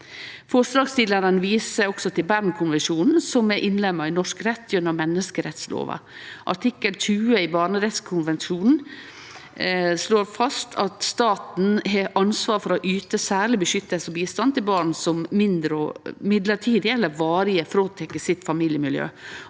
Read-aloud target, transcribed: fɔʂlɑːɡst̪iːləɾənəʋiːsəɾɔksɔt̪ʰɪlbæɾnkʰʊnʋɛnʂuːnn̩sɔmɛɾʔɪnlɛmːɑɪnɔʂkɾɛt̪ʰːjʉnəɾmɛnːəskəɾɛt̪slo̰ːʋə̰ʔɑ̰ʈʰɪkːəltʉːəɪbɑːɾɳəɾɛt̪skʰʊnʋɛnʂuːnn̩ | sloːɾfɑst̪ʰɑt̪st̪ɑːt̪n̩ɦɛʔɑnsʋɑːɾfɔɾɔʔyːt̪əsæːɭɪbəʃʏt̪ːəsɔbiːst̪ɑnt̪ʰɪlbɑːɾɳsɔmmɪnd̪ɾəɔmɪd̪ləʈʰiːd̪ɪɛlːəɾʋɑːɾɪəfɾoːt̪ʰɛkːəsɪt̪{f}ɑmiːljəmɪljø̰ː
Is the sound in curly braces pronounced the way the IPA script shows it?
yes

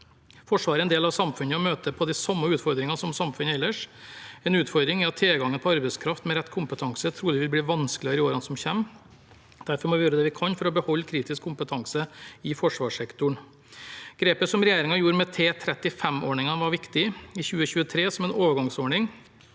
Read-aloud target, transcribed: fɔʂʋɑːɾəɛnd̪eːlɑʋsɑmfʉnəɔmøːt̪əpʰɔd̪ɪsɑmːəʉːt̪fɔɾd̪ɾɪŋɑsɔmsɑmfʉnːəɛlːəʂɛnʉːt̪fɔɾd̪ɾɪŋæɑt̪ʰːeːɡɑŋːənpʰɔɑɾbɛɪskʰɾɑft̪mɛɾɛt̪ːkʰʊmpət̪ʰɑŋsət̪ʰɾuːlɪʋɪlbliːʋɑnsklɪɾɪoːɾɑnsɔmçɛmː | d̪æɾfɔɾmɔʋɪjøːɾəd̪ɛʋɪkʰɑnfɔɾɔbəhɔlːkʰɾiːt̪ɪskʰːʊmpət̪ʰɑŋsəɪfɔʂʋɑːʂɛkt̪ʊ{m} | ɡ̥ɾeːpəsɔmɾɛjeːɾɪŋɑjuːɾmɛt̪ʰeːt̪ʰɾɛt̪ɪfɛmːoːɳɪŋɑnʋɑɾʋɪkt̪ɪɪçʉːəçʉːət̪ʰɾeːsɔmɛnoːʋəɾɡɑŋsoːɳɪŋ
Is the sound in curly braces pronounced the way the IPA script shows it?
no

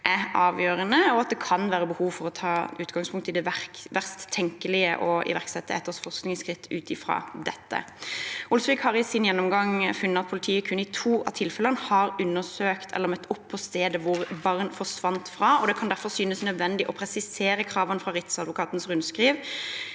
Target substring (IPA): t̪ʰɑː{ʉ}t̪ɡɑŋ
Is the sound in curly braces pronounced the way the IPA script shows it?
no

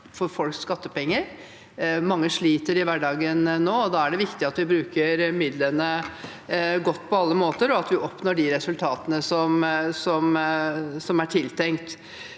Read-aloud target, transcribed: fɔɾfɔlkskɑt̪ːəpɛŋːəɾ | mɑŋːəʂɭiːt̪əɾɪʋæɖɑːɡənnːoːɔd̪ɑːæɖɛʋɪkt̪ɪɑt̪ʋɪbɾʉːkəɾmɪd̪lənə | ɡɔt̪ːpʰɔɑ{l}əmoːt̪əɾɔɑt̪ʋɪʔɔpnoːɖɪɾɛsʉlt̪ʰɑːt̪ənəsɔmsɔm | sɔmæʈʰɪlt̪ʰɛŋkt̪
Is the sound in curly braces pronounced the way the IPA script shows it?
no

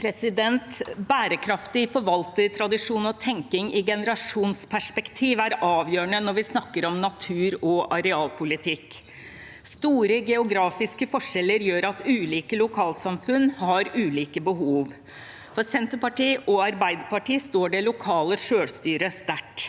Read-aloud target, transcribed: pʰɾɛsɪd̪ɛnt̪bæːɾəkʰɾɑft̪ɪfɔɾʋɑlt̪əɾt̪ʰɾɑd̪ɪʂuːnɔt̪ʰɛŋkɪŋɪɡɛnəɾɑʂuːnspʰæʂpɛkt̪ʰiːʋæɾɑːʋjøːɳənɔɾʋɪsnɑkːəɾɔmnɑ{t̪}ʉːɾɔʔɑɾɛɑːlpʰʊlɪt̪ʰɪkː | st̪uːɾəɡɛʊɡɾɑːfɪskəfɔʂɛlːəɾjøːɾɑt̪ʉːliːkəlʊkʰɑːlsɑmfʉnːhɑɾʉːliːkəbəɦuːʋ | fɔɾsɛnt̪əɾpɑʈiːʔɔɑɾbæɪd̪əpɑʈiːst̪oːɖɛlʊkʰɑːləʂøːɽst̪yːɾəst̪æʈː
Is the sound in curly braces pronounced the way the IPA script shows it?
no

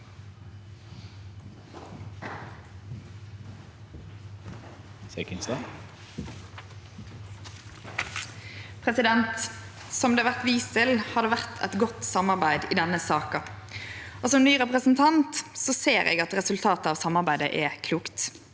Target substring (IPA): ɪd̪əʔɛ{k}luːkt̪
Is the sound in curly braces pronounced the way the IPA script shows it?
no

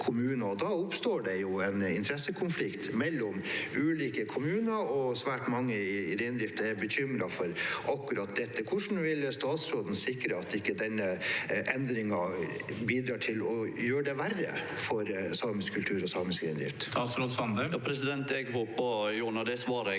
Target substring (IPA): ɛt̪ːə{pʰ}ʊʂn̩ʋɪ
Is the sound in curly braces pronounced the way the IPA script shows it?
no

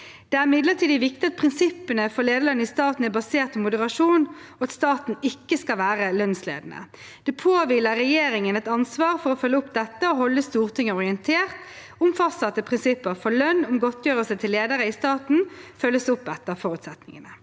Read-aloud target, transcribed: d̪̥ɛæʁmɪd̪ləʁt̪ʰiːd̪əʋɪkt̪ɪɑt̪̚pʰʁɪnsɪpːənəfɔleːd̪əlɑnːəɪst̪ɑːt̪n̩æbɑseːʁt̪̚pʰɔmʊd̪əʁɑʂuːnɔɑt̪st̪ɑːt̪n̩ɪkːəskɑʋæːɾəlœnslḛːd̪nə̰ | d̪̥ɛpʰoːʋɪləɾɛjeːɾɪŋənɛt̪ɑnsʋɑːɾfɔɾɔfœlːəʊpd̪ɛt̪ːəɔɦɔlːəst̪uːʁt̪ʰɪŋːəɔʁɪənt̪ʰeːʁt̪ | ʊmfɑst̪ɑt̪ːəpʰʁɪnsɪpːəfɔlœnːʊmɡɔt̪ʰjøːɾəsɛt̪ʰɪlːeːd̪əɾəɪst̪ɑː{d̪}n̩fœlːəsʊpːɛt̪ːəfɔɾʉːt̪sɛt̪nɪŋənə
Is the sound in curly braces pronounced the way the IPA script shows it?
no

